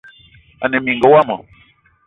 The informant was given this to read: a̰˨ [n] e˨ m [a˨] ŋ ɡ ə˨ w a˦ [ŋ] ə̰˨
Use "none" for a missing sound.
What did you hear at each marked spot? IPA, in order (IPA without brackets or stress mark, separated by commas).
n, i˨, m